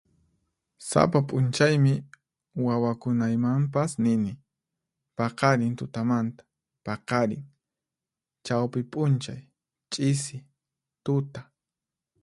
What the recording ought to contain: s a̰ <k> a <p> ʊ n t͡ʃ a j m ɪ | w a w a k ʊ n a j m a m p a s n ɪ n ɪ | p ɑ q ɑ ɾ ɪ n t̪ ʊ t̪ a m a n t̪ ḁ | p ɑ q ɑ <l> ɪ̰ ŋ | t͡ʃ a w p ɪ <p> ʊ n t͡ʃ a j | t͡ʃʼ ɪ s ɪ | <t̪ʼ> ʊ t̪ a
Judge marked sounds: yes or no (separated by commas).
no, no, no, no, no